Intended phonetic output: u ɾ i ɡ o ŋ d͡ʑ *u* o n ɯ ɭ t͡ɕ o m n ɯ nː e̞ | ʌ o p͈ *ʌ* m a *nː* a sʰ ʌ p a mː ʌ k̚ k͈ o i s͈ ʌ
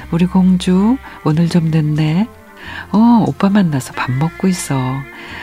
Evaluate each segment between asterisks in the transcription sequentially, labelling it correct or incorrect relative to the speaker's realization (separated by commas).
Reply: correct, incorrect, correct